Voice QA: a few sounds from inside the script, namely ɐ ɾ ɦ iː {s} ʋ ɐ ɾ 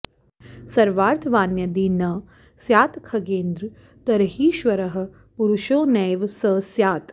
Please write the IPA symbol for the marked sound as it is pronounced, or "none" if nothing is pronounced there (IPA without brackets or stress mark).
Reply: ʃ